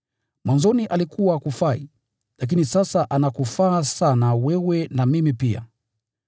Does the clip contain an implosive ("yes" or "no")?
no